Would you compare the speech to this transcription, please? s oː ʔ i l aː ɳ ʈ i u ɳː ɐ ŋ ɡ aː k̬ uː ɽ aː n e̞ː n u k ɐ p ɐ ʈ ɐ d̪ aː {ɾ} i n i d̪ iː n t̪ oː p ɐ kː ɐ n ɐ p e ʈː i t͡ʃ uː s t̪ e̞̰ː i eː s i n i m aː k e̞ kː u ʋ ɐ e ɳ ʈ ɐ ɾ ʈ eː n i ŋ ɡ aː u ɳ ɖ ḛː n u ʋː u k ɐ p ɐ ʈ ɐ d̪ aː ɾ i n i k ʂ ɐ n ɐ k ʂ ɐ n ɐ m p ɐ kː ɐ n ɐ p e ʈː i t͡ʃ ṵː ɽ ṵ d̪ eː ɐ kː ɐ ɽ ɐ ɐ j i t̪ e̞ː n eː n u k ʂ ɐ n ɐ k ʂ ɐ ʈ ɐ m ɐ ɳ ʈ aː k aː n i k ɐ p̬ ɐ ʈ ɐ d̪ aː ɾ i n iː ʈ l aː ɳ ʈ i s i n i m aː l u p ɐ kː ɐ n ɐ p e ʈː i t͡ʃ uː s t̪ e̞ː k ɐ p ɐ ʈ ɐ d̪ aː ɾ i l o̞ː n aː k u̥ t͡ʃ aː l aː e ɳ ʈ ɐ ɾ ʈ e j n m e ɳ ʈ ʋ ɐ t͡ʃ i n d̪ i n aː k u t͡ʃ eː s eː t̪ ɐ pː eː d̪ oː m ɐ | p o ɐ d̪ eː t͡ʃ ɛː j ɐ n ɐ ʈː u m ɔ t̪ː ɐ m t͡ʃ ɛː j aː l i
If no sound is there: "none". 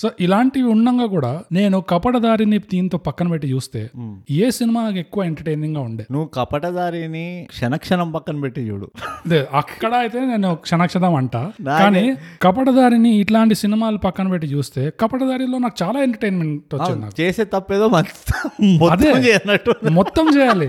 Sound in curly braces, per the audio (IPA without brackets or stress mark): ɾ